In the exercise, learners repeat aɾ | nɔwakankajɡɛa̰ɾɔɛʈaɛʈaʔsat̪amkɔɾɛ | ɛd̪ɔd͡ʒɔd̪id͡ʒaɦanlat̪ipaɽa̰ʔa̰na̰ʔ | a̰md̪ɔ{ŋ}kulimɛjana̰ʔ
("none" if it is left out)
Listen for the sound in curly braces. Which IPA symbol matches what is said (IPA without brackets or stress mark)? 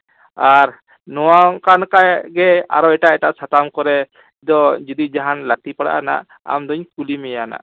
ɲ